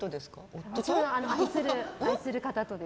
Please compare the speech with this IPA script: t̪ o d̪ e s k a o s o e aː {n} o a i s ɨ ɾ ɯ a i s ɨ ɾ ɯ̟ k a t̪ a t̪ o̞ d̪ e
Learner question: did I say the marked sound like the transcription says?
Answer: yes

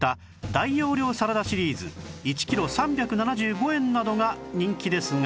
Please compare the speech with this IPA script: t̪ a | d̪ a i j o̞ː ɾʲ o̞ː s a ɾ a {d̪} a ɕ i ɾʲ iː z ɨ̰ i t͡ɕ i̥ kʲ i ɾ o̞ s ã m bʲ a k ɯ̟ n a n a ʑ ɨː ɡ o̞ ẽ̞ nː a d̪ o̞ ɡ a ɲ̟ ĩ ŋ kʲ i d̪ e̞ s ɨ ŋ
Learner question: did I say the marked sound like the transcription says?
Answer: yes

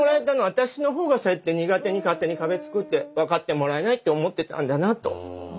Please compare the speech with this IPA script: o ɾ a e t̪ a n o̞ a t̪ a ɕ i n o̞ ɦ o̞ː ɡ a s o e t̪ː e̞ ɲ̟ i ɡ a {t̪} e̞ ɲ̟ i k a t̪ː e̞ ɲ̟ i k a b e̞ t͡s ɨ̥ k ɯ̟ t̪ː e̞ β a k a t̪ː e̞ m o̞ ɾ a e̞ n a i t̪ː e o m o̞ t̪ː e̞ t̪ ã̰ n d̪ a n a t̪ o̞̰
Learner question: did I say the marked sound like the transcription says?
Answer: yes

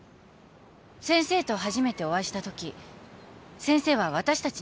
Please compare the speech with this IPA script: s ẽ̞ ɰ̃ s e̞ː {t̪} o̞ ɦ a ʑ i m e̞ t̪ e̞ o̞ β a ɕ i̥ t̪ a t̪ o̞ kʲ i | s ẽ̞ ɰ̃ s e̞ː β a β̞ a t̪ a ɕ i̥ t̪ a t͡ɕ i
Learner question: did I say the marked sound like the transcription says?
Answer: yes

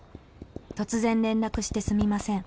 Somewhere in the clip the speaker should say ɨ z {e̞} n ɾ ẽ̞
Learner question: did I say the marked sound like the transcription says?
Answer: no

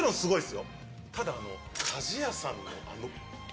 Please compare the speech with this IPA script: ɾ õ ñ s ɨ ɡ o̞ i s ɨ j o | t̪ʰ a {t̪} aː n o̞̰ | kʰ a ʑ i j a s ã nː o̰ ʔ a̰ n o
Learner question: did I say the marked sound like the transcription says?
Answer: no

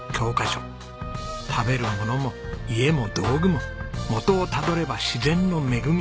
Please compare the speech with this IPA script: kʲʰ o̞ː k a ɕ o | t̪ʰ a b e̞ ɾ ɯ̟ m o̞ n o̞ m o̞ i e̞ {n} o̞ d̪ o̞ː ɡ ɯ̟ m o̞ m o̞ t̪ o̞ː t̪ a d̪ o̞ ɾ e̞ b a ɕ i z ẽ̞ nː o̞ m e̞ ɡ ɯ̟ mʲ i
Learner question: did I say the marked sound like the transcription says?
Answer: no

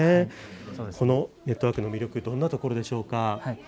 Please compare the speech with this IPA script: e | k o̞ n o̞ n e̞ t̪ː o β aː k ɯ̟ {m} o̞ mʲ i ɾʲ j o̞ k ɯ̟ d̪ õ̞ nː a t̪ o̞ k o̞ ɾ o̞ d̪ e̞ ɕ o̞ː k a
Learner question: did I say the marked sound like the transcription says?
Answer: no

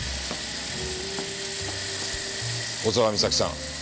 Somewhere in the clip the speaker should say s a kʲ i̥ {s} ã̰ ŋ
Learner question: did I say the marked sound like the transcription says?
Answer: yes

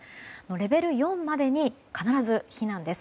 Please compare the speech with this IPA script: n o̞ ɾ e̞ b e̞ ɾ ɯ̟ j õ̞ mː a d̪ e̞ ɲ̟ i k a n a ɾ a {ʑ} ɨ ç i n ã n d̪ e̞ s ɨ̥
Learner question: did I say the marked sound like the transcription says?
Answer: no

